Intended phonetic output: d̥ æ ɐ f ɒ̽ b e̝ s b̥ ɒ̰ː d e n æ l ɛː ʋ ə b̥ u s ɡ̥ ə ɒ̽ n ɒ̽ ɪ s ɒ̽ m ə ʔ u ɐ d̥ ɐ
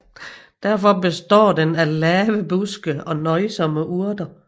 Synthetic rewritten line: d̥ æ ɐ f ɒ̽ b e̝ s d̥ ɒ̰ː d e n æ l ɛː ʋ ə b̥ u s ɡ̥ ə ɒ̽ n ɒ̽ ɪ s ɒ̽ m ə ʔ u ɐ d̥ ɐ